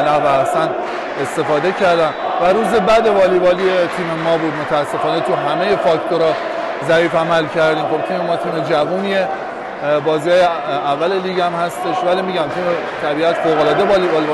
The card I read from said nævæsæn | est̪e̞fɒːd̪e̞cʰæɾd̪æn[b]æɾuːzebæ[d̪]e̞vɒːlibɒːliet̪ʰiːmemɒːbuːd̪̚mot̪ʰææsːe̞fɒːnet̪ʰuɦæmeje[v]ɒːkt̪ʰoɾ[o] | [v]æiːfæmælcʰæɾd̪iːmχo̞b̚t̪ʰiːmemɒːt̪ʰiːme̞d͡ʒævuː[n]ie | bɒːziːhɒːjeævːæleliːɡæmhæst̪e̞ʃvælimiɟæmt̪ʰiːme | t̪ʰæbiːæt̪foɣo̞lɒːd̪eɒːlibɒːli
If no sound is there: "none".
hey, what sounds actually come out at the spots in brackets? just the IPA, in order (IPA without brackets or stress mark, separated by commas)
v, d̪, f, ɒ, z, n